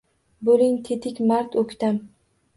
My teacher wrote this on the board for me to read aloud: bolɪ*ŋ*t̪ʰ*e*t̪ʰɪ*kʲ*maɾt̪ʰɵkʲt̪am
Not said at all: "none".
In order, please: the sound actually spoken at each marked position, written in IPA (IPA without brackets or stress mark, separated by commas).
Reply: ŋ, e, kʲ